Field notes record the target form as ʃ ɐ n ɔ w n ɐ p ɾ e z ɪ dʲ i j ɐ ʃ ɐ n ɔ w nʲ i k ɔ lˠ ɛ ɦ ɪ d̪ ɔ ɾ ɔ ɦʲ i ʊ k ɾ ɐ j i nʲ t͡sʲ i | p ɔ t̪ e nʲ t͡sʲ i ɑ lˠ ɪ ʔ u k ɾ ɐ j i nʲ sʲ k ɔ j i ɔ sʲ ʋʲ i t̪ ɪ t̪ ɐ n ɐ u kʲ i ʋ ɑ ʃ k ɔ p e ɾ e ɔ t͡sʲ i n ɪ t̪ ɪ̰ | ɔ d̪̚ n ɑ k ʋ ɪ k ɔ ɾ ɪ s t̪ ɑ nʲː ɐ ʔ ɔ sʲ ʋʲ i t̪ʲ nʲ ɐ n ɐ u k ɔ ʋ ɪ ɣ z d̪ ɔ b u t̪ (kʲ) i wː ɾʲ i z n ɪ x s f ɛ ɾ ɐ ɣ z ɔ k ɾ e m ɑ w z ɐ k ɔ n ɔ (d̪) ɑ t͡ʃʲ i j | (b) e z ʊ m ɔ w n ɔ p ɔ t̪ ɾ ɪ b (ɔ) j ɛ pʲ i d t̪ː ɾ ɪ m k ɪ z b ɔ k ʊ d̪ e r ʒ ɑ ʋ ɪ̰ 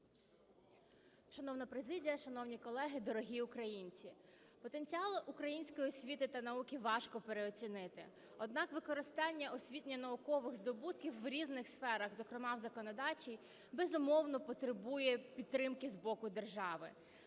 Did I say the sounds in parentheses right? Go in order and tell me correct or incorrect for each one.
correct, correct, correct, incorrect: u

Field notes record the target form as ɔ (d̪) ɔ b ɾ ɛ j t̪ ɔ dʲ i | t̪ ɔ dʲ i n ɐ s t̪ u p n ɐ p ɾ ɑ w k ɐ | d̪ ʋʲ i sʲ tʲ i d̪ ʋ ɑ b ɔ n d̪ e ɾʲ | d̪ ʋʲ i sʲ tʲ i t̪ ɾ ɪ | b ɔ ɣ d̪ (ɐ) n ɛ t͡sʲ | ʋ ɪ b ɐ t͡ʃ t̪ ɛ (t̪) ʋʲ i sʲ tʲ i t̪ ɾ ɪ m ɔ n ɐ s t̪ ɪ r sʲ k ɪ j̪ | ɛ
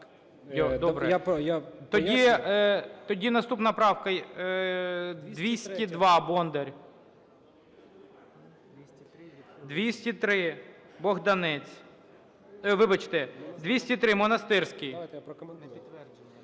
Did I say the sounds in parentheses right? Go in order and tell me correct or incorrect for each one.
correct, correct, incorrect: d̪

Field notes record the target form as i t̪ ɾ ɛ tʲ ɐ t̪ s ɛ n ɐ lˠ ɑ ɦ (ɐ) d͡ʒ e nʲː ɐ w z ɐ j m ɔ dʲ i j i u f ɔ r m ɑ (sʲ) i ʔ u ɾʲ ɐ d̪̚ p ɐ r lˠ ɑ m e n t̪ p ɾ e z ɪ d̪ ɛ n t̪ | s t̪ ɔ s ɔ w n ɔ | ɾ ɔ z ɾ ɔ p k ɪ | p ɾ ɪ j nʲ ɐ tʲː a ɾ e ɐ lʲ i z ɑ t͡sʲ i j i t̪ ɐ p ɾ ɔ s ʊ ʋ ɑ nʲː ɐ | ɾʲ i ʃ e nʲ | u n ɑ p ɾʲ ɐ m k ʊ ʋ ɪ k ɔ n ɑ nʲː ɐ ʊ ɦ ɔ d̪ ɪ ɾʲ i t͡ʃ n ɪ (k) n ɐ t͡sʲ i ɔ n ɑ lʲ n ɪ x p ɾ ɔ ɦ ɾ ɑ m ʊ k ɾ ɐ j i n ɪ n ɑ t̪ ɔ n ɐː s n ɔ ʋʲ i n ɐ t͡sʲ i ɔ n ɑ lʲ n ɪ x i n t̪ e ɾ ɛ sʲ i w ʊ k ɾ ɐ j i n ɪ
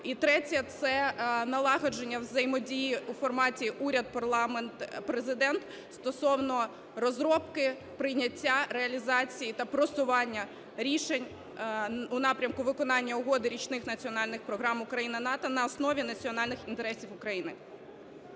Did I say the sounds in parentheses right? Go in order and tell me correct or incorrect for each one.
correct, incorrect: tʲ, incorrect: x

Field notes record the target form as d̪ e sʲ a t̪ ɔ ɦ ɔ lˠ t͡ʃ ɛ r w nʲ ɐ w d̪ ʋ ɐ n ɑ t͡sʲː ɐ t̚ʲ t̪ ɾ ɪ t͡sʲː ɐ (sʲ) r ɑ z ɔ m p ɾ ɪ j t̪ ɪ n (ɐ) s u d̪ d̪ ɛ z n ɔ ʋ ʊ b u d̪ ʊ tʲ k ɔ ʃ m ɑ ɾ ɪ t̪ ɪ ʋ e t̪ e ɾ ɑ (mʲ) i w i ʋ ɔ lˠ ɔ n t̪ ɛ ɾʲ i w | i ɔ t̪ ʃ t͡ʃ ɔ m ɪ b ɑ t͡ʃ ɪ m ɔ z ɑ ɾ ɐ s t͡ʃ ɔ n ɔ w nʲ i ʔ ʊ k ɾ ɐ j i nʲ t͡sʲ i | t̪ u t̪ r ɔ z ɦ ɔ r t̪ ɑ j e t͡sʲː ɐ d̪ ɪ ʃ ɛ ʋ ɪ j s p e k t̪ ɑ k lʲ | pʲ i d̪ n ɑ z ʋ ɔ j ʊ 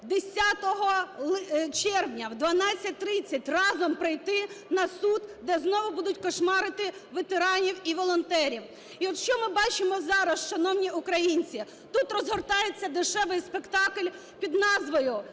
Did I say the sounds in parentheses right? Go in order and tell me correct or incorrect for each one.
incorrect: tʲ, correct, incorrect: nʲ

